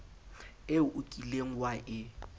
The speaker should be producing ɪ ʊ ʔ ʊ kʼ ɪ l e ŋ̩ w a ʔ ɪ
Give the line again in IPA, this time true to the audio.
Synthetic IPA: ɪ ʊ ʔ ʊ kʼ i l e ŋ̩ w a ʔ ɪ